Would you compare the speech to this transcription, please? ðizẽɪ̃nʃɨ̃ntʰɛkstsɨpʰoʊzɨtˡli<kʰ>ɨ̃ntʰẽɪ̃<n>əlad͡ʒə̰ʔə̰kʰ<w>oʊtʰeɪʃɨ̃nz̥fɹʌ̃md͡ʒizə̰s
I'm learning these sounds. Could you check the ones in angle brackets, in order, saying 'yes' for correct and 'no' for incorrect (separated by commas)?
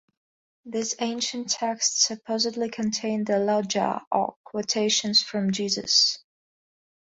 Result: yes, yes, yes